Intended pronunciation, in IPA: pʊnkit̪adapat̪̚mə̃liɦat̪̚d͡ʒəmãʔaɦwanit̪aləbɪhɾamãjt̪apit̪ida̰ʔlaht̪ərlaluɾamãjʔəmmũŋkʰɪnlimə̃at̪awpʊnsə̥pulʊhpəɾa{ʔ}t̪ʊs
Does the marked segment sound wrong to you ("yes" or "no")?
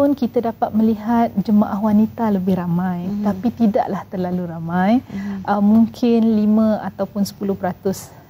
yes